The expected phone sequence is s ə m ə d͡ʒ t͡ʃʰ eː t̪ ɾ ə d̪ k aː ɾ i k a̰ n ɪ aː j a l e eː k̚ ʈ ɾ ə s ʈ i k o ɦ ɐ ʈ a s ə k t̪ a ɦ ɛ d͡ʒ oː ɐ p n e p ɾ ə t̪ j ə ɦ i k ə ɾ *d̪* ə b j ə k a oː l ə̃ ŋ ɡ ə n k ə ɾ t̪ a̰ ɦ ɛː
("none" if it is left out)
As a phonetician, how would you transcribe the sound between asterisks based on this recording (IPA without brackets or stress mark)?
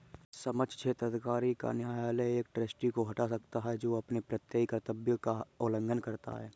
t̪